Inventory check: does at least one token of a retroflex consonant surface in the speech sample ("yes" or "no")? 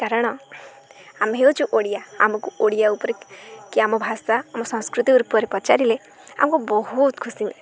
yes